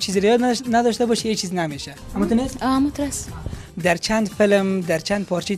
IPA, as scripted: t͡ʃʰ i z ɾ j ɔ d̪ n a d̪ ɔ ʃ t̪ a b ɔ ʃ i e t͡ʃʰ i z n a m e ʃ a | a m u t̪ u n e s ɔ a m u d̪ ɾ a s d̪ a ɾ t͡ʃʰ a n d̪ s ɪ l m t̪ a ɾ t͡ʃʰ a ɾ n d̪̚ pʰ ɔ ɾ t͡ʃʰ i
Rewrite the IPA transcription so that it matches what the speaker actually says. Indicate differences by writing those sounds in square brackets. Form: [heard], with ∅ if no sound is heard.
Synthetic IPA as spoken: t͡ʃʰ i z ɾ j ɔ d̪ n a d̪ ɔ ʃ t̪ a b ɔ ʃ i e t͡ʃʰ i z n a m e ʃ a | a m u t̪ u n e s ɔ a m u [t̪] ɾ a s d̪ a ɾ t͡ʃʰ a n d̪ [f] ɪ l m [d̪] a ɾ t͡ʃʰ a [∅] n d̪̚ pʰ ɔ ɾ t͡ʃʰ i